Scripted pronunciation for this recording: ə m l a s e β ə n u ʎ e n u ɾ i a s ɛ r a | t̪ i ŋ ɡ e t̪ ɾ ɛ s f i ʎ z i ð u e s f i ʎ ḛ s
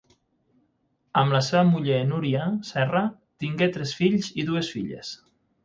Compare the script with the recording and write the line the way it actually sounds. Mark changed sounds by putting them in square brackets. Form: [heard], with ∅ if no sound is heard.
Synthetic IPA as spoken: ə m l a s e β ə [m] u ʎ e n u ɾ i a s ɛ r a | t̪ i ŋ ɡ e t̪ ɾ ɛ s f i ʎ z i ð u e s f i ʎ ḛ s